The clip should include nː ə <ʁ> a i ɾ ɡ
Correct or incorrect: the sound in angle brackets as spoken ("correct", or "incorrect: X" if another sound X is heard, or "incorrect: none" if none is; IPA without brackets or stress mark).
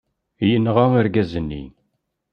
correct